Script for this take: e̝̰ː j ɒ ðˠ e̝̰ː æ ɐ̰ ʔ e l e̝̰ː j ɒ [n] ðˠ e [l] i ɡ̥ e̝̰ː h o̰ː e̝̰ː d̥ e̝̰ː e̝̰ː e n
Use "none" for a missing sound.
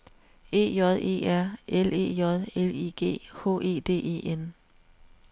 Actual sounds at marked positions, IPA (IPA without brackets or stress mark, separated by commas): none, l